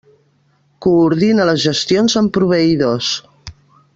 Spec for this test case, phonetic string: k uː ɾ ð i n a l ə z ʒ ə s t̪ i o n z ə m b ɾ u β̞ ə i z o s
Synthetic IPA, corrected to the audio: k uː ɾ ð i n ə l ə z ʒ ə s t̪ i o n z ə m p ɾ u β̞ ə i ð o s

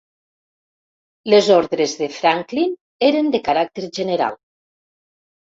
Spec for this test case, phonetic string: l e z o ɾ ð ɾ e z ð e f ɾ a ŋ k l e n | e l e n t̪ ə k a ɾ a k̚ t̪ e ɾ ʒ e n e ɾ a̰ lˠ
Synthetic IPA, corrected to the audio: l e z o ɾ ð ɾ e z ð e f ɾ a ŋ k l i n | e ɾ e n d̪ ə k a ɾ a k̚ t̪ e ɾ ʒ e n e ɾ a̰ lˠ

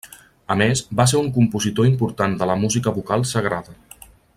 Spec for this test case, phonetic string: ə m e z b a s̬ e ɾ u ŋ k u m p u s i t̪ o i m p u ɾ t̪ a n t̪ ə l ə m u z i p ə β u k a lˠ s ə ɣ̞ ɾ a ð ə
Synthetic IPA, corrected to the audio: ə m e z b a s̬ e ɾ u ŋ k u m p u z i t̪ o i m p u ɾ t̪ a n d̪ ə l ə m u z i k ə β u k a lˠ s ə ɣ̞ ɾ a ð ə

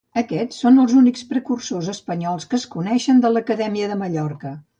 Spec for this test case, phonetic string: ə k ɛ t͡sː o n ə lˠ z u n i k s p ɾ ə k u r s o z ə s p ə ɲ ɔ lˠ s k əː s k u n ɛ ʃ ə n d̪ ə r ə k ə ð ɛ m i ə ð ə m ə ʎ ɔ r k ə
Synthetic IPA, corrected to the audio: ə k ɛ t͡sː o n ə lˠ z u n i k s p ɾ ə k u r s o z ə s p ə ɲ ɔ lˠ s k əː s k u n ɛ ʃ ə n d̪ ə l ə k ə ð ɛ m i ə ð ə m ə ʎ ɔ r k ə

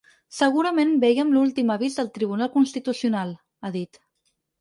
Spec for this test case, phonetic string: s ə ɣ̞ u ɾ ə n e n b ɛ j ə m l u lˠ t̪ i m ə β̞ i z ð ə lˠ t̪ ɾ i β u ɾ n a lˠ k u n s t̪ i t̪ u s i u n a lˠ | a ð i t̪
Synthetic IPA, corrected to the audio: s ə ɣ̞ u ɾ ə m e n b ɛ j ə m l u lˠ t̪ i m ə β̞ i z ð ə lˠ t̪ ɾ i β u n a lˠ k u n s t̪ i t̪ u s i u n a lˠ | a ð i t̪

